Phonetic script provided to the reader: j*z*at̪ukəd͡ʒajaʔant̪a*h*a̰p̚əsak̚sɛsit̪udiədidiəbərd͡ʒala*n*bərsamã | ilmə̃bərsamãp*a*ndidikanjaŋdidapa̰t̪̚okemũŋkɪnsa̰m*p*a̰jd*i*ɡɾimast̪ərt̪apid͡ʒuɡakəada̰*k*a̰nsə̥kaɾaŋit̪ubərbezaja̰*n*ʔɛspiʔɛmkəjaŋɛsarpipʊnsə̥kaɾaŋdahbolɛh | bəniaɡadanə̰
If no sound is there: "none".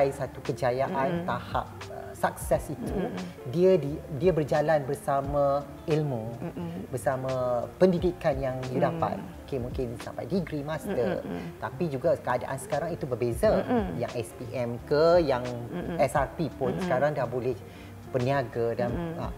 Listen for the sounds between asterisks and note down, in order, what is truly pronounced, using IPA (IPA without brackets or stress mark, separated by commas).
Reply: s, h, n, ə, p, i, ʔ, ŋ